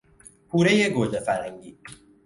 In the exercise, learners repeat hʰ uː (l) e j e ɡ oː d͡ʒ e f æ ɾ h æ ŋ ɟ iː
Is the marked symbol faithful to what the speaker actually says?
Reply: no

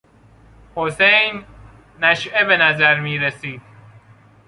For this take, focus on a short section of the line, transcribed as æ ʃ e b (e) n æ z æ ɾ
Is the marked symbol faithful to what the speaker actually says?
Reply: yes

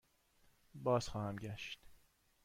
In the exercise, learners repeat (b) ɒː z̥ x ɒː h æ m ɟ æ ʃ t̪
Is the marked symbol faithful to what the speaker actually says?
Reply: yes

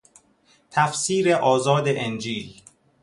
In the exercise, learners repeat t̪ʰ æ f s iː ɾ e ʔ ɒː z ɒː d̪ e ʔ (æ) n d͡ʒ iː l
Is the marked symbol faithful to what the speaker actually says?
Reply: no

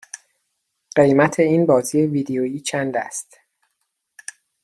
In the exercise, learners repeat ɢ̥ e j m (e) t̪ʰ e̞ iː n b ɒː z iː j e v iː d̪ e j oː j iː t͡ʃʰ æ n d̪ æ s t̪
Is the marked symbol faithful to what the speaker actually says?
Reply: no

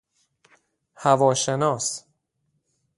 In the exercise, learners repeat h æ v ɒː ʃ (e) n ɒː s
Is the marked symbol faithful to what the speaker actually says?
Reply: yes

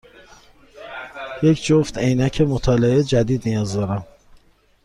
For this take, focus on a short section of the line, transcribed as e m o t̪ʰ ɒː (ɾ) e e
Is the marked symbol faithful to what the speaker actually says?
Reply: no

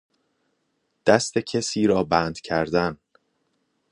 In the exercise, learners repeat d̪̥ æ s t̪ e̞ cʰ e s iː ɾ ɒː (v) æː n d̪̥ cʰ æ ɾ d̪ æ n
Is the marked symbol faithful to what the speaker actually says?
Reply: no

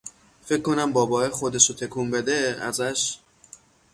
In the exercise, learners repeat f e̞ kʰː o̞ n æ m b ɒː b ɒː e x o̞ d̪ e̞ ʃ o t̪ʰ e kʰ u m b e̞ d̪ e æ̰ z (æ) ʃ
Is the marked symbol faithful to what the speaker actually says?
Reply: yes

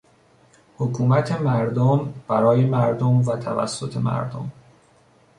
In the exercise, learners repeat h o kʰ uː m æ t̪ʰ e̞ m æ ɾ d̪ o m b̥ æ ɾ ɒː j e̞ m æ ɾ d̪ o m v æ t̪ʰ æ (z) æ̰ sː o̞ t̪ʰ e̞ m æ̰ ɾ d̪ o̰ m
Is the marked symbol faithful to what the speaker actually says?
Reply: no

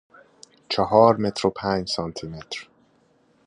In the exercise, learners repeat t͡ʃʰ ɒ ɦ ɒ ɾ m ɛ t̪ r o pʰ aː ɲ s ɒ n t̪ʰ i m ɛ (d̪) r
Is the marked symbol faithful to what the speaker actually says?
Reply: no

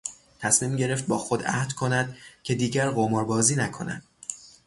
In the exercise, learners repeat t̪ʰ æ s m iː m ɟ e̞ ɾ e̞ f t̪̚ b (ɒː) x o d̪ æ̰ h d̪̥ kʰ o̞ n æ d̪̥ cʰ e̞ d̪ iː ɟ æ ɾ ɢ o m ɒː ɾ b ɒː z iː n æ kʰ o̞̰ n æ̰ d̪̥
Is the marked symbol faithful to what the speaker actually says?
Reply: yes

